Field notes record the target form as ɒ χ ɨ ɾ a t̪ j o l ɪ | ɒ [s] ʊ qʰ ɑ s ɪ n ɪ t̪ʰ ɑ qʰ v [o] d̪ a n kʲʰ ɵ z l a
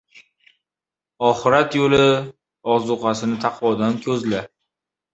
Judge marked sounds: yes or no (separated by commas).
no, no